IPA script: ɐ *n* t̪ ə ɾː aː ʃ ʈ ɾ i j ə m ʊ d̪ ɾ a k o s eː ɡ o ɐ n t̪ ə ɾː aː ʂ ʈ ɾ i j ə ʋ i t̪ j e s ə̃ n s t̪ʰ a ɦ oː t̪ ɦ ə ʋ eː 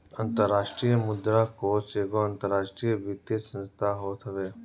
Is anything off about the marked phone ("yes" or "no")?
no